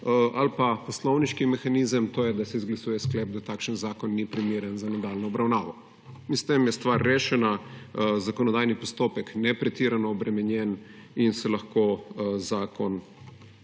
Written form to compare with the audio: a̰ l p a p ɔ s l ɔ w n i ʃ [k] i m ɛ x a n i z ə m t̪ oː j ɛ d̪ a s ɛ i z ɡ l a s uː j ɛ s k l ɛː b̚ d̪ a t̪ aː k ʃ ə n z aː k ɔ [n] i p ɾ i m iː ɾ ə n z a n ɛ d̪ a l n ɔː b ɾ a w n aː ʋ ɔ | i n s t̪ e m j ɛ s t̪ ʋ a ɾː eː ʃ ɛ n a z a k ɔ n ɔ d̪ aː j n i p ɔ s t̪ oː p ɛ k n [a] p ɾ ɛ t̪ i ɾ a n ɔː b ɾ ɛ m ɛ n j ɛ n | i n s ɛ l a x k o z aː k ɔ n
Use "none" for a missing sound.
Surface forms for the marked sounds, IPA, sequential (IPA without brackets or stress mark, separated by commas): k, nː, ɛ